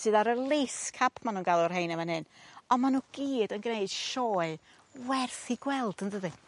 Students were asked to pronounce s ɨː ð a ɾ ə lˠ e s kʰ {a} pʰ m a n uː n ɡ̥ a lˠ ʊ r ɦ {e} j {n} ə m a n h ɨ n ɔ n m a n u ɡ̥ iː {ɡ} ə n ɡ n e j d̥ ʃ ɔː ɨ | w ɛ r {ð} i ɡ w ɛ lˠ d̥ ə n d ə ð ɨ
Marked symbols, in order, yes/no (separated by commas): yes, yes, yes, no, no